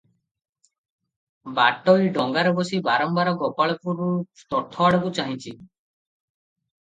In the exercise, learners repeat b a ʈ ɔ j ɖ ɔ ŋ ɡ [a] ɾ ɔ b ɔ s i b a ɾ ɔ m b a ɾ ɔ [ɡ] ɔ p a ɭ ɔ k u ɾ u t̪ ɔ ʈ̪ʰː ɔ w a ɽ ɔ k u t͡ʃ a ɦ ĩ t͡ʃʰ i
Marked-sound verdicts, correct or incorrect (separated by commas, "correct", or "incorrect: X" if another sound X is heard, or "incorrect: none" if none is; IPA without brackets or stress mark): correct, correct